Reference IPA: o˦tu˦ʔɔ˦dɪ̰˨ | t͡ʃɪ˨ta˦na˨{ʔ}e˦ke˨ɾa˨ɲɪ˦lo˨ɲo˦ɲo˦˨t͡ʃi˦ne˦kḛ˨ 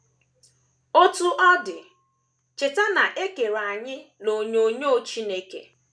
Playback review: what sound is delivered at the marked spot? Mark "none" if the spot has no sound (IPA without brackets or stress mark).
ʔ